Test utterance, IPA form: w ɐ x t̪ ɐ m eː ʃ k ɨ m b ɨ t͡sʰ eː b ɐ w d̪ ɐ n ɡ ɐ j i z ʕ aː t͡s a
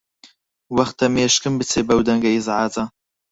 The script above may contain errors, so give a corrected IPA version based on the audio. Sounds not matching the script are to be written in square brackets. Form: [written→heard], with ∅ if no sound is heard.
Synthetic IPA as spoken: w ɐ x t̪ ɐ m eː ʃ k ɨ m b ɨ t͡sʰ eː b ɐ w d̪ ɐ [n→ŋ] ɡ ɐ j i z ʕ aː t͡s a